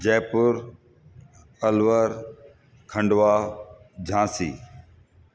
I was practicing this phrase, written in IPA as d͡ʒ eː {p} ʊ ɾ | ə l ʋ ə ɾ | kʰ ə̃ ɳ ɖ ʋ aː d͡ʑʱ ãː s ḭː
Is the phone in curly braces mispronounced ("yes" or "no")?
no